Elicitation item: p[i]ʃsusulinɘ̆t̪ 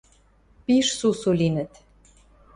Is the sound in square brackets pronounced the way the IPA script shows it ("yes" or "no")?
yes